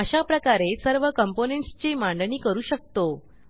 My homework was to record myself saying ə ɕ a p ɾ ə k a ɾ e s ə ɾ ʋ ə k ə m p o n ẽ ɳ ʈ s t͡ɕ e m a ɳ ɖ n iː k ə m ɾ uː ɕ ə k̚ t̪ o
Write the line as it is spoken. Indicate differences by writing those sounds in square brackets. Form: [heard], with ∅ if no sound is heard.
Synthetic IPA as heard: ə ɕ a p ɾ ə k a ɾ e s ə ɾ ʋ ə k ə m p o n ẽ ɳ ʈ s t͡ɕ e m a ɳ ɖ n iː k ə [∅] ɾ uː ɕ ə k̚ t̪ o